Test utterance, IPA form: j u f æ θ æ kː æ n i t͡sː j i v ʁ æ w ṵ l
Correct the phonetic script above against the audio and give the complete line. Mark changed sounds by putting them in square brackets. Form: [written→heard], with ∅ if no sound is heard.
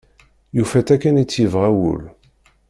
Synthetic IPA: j u f æ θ æ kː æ n i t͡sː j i v ʁ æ w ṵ l